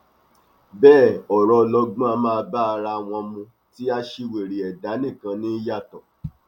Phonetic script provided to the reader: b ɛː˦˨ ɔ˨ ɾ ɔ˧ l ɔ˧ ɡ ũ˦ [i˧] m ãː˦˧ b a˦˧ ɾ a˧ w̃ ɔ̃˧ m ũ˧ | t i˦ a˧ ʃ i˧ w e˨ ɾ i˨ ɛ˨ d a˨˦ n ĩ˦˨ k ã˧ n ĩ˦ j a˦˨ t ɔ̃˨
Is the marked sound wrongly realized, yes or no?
yes